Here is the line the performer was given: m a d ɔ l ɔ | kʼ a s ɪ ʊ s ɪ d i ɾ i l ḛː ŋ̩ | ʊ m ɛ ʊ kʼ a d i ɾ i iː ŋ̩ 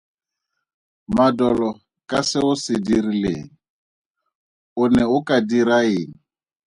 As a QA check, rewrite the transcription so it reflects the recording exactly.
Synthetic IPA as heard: m a d ɔ l ɔ | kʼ a s ɪ ʊ s ɪ d i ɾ i l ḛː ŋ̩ | ʊ n ɛ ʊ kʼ a d i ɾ a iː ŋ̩